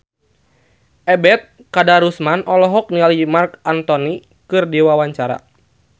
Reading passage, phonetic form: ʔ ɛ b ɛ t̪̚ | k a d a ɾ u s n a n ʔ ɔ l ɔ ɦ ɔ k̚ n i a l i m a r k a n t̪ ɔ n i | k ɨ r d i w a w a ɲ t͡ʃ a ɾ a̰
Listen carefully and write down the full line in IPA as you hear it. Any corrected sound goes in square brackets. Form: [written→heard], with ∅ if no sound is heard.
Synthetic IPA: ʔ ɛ b ɛ t̪̚ | k a d a ɾ u s [n→m] a n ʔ ɔ l ɔ ɦ ɔ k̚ n i a l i m a r k a n t̪ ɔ n i | k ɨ r d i w a w a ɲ t͡ʃ a ɾ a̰